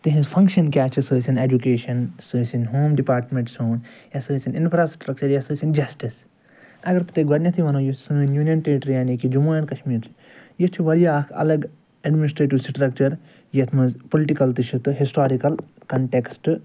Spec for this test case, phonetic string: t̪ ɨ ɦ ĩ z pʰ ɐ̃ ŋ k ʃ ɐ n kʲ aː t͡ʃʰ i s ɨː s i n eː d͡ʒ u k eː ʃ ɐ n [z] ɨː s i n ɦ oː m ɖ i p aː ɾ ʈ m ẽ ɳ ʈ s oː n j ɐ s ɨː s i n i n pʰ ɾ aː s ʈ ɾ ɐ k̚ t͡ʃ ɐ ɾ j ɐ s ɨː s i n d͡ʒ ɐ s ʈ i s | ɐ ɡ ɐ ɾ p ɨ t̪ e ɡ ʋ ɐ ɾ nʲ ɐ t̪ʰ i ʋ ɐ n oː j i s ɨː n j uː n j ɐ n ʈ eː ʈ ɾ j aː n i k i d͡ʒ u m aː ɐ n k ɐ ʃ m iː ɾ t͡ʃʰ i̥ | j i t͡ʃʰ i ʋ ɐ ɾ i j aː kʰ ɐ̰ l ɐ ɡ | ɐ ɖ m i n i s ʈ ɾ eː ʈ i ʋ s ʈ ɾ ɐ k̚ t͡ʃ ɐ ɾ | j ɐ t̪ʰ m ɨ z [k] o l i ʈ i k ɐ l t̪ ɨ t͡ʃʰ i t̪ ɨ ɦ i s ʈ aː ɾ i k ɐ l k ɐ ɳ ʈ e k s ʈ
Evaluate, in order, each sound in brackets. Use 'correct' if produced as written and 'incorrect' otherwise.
incorrect: s, incorrect: p

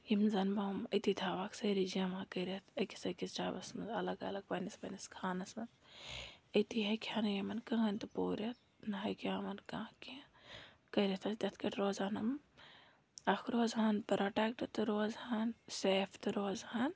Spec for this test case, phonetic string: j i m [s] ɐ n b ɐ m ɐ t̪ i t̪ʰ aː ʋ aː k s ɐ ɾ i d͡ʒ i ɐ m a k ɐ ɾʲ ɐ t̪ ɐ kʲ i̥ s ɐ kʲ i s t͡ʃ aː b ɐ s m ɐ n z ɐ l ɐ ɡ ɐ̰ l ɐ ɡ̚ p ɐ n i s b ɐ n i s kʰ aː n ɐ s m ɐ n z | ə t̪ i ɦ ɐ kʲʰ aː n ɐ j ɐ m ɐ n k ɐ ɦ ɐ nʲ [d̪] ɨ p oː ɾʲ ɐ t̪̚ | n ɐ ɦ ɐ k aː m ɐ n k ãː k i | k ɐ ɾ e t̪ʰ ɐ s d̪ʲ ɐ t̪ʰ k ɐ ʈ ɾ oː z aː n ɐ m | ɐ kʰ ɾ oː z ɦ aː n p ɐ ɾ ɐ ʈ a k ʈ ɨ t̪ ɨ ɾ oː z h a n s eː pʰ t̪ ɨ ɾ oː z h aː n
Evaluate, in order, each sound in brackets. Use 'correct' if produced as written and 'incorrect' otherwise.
incorrect: z, incorrect: t̪

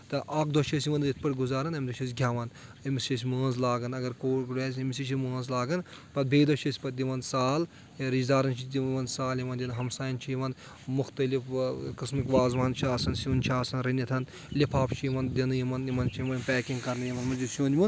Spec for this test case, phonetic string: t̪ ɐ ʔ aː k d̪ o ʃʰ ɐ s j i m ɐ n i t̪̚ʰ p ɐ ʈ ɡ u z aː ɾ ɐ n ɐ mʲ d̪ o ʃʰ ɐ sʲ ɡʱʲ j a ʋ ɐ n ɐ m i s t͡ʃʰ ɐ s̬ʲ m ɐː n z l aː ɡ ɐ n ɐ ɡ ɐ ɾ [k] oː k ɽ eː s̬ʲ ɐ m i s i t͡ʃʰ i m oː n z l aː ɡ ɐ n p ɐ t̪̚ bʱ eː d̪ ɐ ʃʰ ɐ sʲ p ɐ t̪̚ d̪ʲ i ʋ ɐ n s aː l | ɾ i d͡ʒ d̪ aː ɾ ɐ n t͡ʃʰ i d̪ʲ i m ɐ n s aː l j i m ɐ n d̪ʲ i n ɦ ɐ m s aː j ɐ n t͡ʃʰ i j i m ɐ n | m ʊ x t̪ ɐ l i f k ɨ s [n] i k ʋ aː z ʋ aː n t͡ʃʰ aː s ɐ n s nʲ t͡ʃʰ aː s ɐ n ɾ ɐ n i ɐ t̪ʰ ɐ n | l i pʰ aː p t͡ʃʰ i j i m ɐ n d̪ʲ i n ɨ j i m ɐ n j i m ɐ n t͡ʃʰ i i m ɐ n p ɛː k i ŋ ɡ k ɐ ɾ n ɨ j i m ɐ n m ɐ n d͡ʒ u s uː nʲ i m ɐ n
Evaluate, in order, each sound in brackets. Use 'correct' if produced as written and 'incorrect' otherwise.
correct, incorrect: m

